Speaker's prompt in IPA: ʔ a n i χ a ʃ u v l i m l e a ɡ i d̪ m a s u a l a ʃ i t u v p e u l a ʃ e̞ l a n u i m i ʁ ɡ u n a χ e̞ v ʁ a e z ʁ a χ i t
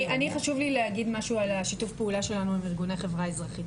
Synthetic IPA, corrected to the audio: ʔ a n i χ a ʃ u v l i l e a ɡ i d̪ m a ʃ u a l a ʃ i t u f p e u l a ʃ e̞ l a n u i m i ʁ ɡ u n a χ e̞ v ʁ a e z ʁ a χ i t